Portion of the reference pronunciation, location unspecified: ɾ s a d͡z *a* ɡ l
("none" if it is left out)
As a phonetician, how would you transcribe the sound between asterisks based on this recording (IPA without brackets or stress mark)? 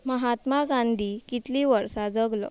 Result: ə